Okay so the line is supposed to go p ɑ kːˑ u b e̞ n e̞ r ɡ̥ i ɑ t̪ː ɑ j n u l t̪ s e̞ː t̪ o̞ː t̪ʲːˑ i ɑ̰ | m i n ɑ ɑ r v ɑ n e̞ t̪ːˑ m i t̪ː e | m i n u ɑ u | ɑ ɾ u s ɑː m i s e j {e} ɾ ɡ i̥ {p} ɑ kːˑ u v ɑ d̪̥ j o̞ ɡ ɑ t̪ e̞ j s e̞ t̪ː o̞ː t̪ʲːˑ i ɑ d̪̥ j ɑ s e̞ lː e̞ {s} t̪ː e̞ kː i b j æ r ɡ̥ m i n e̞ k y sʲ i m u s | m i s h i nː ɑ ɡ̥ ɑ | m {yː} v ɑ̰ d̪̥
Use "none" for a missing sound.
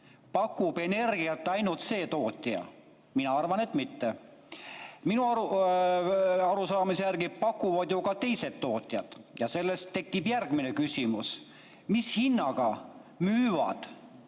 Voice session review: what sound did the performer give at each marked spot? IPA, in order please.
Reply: æ, p, s, yː

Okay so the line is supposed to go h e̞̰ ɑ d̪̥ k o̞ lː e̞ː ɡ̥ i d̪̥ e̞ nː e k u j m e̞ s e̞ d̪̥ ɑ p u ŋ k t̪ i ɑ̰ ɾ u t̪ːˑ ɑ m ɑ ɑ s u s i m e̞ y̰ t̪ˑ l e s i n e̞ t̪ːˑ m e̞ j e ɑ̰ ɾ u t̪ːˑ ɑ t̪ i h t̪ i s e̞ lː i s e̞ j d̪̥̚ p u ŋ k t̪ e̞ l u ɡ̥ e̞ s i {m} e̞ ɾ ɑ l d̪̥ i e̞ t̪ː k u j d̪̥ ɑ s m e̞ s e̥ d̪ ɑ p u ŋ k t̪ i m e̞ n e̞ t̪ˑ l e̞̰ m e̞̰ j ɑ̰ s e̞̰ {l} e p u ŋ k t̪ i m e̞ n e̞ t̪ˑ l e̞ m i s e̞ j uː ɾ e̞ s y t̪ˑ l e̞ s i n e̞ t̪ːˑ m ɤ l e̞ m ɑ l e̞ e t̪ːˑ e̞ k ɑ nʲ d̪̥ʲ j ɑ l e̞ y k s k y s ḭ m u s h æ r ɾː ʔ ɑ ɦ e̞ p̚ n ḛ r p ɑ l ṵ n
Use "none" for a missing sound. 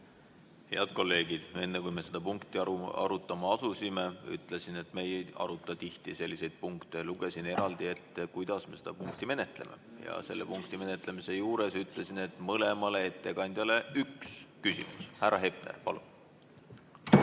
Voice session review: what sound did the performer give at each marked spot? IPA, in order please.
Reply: n, lː

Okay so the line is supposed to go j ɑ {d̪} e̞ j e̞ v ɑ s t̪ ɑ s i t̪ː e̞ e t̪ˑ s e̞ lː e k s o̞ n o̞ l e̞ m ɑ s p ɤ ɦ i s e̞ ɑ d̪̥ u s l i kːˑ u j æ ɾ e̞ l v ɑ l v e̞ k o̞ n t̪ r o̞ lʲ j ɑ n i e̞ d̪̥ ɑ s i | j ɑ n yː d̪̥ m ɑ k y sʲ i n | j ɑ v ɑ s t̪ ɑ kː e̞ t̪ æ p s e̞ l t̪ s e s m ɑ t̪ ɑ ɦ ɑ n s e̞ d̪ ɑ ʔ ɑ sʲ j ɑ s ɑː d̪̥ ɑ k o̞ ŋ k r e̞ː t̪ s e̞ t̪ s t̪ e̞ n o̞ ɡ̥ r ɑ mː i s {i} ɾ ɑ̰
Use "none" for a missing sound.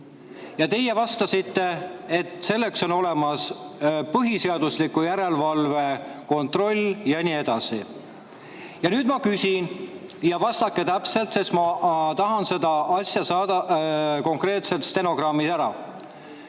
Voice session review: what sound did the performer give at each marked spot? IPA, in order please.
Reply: t̪, æ

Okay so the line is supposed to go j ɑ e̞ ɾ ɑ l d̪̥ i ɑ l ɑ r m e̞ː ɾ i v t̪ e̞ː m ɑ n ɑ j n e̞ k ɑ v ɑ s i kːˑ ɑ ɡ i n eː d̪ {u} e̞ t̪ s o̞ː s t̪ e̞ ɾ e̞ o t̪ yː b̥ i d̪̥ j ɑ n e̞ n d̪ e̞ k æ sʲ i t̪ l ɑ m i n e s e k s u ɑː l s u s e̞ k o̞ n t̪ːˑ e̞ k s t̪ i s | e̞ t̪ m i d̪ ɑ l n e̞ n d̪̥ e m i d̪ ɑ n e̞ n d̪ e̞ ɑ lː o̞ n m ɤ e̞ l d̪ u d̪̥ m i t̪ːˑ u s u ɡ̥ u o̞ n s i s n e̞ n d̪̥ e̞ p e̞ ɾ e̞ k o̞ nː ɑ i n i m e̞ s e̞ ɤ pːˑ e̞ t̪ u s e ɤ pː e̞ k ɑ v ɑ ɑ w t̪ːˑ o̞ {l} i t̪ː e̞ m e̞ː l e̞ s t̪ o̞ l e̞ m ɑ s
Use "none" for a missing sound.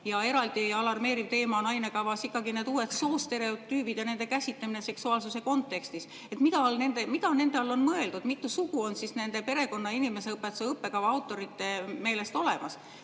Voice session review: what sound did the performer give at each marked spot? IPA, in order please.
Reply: uː, ɾ

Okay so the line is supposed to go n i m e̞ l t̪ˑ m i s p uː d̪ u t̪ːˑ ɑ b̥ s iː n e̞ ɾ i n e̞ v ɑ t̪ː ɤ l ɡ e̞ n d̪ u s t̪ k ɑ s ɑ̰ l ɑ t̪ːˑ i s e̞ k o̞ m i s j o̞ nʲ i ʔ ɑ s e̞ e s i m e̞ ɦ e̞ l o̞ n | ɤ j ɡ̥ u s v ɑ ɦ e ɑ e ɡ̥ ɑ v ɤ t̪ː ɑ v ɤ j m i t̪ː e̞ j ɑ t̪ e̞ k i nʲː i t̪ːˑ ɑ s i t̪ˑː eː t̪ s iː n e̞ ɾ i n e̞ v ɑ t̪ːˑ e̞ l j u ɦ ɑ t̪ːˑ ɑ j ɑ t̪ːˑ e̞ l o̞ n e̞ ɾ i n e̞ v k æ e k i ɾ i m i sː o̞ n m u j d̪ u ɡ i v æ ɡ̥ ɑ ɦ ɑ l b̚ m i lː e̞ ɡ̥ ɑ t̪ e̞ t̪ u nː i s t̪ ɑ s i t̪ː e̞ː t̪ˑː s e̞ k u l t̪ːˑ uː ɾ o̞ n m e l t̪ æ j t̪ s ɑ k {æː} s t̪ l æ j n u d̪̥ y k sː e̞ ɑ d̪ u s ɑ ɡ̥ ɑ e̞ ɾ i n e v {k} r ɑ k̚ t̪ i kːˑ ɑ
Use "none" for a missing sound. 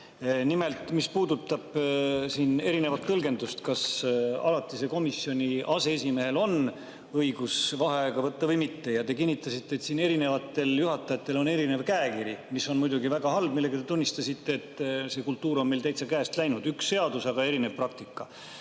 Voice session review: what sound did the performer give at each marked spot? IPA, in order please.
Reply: æː, p

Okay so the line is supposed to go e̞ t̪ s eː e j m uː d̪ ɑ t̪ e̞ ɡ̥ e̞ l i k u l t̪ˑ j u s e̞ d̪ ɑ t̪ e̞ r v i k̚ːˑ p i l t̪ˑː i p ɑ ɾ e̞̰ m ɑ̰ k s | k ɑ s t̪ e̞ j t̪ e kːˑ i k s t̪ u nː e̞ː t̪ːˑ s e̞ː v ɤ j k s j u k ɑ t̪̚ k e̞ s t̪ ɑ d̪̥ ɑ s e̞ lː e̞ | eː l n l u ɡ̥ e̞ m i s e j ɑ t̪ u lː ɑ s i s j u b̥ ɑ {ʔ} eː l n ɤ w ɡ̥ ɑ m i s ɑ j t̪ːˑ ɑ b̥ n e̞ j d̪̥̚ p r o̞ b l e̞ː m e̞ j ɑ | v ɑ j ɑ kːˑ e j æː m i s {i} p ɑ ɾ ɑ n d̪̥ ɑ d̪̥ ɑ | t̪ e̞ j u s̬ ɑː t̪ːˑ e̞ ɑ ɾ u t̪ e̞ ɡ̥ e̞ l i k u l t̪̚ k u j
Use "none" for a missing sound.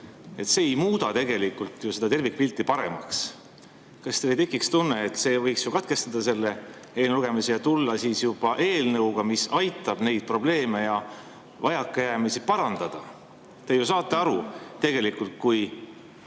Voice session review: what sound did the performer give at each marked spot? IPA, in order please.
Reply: ʔ, i

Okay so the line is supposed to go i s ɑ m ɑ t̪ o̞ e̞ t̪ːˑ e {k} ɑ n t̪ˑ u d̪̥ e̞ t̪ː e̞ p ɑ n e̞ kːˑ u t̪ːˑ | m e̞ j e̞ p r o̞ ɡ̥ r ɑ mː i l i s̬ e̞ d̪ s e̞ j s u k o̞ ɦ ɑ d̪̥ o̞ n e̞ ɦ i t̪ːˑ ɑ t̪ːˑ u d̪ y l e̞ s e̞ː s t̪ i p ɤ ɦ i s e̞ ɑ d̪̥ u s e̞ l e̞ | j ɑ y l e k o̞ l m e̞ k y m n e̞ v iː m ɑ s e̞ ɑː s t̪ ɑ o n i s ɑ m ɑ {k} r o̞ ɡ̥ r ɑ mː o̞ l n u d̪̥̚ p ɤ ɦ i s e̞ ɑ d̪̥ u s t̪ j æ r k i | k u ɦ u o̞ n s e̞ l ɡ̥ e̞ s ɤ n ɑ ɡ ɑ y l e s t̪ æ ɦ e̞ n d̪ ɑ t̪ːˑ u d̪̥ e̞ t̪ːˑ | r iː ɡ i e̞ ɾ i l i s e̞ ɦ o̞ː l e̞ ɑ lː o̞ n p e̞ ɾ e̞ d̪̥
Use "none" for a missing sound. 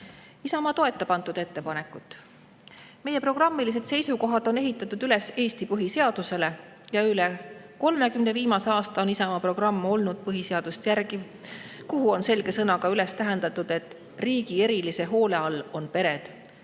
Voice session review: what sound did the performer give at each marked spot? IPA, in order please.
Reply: p, p

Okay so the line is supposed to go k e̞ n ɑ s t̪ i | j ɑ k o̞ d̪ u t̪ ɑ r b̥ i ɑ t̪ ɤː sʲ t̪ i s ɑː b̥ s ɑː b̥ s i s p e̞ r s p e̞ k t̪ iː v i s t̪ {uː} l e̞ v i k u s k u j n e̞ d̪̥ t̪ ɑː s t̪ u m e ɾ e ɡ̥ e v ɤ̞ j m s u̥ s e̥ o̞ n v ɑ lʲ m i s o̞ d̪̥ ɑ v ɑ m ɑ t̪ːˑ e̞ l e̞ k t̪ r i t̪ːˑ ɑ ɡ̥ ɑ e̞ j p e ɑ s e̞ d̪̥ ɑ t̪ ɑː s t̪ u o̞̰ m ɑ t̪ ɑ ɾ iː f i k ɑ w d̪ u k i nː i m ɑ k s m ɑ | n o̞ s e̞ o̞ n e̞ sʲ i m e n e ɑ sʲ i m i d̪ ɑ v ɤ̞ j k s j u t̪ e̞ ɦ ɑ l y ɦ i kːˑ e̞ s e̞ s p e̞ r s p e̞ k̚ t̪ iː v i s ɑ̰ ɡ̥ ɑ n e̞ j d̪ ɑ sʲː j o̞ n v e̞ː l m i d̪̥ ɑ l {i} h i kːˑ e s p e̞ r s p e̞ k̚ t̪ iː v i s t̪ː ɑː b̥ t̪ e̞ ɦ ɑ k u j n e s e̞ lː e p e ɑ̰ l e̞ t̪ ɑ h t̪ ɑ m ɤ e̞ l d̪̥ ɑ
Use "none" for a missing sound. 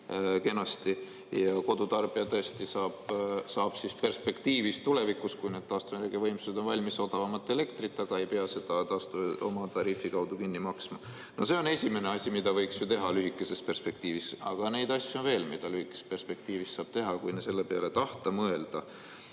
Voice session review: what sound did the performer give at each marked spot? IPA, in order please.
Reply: u, y

